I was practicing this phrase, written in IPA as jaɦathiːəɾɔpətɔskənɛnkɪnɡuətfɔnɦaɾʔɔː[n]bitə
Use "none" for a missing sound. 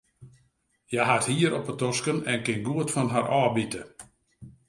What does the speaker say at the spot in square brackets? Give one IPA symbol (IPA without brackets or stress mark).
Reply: none